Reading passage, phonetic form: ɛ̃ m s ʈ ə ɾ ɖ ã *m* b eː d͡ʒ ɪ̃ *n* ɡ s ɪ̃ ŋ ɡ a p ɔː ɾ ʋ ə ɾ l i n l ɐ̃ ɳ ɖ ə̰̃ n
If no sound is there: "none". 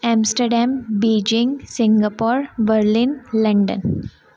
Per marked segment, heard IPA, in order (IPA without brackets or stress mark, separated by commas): m, ŋ